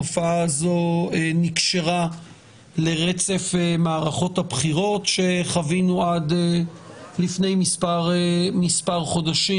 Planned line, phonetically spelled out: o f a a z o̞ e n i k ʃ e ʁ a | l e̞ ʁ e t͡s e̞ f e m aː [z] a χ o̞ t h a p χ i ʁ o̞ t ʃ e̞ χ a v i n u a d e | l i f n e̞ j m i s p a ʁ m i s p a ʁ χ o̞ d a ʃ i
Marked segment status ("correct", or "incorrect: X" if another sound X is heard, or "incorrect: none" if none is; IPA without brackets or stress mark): incorrect: ʁ